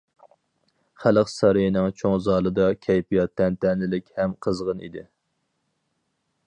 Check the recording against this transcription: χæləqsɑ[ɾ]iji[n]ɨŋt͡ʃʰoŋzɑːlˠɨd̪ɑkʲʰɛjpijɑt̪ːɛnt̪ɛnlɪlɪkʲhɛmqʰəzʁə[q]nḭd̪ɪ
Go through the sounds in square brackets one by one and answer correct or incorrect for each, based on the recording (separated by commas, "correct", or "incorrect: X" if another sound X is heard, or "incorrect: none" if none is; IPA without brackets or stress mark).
correct, correct, incorrect: none